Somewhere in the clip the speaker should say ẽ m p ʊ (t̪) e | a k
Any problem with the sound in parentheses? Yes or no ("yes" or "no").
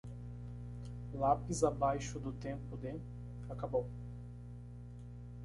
yes